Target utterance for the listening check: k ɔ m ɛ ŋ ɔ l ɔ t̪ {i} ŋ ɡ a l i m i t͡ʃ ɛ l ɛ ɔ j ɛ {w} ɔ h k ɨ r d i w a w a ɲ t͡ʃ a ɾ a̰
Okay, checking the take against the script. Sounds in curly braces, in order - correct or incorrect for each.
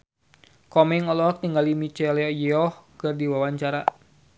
correct, incorrect

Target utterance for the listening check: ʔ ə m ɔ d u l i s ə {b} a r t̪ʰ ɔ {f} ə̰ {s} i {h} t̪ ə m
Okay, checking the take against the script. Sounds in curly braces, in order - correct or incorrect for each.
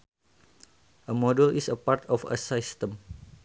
incorrect, correct, correct, incorrect

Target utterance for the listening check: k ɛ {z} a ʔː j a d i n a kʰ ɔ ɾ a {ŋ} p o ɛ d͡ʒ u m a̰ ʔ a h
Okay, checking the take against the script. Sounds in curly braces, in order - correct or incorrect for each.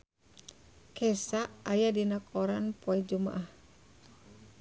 incorrect, incorrect

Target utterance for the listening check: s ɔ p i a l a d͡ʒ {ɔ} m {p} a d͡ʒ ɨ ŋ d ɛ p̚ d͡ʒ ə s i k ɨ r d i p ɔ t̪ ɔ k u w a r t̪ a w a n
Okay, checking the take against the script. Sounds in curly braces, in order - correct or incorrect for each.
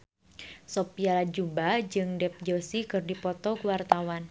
incorrect, incorrect

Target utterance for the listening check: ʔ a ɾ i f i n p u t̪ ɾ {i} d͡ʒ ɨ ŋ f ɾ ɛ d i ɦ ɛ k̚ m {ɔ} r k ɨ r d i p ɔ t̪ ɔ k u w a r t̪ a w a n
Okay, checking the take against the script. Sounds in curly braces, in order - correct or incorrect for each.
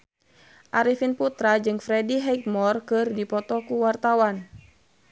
incorrect, correct

